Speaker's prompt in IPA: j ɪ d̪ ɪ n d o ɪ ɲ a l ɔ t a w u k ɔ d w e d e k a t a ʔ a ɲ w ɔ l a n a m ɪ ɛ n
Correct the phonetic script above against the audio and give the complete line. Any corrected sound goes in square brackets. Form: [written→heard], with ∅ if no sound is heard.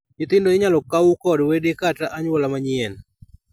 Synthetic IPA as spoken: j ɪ [d̪→t̪] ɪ n d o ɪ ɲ a l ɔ [t→k] a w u k ɔ d w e d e k a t a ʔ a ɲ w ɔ l a [n→m] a [m→ɲ] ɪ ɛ n